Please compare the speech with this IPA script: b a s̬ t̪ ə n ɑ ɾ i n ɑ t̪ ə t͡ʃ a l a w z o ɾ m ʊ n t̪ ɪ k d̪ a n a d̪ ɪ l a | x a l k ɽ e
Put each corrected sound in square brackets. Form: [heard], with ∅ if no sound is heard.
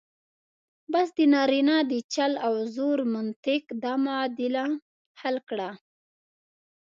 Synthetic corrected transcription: b a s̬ [d̪] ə n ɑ ɾ i n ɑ [d̪] ə t͡ʃ a l a w z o ɾ m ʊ n t̪ ɪ k d̪ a [m] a d̪ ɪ l a | [h] a l k ɽ [a]